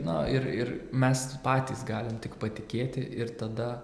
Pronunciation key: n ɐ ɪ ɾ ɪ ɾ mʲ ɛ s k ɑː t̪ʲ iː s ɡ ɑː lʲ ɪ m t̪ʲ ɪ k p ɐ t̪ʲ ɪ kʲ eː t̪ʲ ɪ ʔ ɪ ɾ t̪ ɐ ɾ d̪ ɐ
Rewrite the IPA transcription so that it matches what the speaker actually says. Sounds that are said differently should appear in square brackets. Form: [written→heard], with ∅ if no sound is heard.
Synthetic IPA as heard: n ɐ ɪ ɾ ɪ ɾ mʲ ɛ s [k→p] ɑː t̪ʲ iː s ɡ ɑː lʲ ɪ m t̪ʲ ɪ k p ɐ t̪ʲ ɪ kʲ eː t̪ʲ ɪ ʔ ɪ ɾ t̪ ɐ [ɾ→∅] d̪ ɐ